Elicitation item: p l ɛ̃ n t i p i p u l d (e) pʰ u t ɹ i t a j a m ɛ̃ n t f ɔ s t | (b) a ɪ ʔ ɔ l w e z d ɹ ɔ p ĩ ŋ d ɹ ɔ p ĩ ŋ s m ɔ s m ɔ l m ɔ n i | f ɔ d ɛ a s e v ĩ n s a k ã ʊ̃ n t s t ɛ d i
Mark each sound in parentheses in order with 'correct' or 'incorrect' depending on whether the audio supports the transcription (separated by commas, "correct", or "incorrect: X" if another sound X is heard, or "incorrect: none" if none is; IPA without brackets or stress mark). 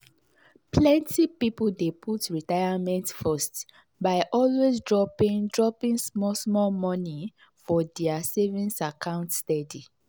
correct, correct